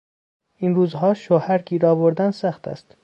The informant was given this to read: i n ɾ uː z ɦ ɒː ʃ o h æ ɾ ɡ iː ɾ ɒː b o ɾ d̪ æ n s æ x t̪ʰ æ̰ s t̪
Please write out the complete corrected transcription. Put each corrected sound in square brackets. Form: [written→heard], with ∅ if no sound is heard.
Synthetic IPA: i n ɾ uː z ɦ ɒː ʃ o h æ ɾ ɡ iː ɾ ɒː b o ɾ d̪ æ n s æ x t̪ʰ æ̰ s t̪

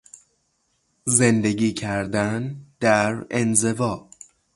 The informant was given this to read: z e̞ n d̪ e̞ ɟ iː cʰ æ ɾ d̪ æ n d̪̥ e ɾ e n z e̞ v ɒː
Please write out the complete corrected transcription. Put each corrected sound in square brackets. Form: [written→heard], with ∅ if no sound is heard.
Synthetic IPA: z e̞ n d̪ e̞ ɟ iː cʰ æ ɾ d̪ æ n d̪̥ [e→æ] ɾ e n z e̞ v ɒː

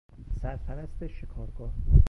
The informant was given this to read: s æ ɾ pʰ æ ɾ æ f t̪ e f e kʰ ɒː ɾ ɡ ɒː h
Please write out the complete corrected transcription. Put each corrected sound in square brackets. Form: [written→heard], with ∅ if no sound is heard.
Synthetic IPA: s æ ɾ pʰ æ ɾ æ [f→s] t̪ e [f→ʃ] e kʰ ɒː ɾ ɡ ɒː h

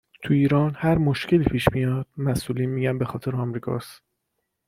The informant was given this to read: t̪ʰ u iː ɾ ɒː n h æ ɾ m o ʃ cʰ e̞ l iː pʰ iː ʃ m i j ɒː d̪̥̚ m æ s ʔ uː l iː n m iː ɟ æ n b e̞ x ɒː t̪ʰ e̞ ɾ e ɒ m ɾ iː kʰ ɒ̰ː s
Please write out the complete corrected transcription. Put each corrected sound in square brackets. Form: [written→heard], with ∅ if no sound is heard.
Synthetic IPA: t̪ʰ u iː ɾ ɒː n h æ ɾ m o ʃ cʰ e̞ l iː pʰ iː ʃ m i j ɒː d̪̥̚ m æ s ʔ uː l iː n m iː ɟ æ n b e̞ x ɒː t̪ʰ e̞ ɾ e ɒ m ɾ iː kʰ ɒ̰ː s

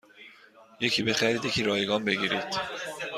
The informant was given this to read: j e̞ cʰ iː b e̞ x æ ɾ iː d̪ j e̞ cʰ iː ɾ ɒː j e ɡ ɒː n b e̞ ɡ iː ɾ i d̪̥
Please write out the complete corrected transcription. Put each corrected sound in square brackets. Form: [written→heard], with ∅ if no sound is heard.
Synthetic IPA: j e̞ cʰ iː b e̞ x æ ɾ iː d̪ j e̞ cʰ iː ɾ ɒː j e ɡ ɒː n b e̞ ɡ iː ɾ i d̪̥

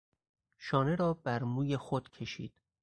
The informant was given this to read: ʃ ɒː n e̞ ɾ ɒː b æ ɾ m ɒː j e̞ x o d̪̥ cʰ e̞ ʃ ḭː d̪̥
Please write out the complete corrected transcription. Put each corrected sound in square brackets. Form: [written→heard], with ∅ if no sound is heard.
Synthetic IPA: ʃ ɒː n e̞ ɾ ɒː b æ ɾ m [ɒː→uː] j e̞ x o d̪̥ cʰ e̞ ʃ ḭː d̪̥

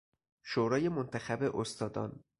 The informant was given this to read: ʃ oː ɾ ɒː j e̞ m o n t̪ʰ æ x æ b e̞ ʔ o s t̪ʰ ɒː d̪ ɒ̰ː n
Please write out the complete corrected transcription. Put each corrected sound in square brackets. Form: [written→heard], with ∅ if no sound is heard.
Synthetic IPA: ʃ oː ɾ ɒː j e̞ m o n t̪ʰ æ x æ b e̞ ʔ o s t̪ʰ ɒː d̪ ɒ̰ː n

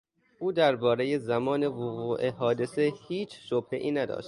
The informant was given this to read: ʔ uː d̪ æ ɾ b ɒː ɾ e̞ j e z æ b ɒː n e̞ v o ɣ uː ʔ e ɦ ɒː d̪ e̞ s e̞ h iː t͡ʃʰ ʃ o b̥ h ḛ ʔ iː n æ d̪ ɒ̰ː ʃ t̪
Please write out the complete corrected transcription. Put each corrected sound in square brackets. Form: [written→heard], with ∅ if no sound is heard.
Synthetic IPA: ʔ uː d̪ æ ɾ b ɒː ɾ e̞ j e z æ [b→m] ɒː n e̞ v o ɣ uː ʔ e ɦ ɒː d̪ e̞ s e̞ h iː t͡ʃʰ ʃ o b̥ h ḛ ʔ iː n æ d̪ ɒ̰ː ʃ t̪

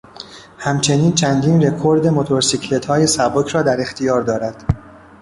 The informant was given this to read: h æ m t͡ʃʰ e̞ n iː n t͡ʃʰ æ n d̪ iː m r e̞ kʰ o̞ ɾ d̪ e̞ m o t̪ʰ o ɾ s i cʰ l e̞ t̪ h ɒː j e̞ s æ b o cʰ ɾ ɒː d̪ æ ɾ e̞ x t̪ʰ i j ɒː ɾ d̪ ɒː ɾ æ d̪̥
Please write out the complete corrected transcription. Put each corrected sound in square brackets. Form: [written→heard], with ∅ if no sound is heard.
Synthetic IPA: h æ m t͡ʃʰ e̞ n iː n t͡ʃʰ æ n d̪ iː [m→n] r e̞ kʰ o̞ ɾ d̪ e̞ m o t̪ʰ o ɾ s i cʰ l e̞ t̪ h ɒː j e̞ s æ b o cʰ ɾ ɒː d̪ æ ɾ e̞ x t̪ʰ i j ɒː ɾ d̪ ɒː ɾ æ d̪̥

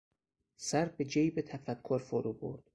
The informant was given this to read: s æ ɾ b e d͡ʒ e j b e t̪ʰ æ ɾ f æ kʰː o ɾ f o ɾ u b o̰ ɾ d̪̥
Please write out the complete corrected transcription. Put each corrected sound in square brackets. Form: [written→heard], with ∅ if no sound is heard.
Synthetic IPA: s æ ɾ b e d͡ʒ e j b e t̪ʰ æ [ɾ→∅] f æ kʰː o ɾ f o ɾ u b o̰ ɾ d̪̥

